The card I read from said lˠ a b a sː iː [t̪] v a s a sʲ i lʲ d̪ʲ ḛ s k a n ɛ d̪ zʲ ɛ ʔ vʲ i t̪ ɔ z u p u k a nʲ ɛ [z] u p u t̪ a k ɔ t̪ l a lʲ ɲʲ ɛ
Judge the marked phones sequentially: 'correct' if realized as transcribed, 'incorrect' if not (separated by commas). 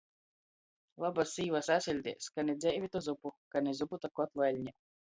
incorrect, correct